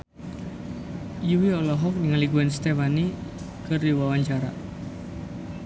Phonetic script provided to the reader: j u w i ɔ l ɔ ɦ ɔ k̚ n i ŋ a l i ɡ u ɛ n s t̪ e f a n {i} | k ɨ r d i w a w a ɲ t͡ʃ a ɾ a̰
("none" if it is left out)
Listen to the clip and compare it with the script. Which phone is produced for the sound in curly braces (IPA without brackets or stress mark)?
i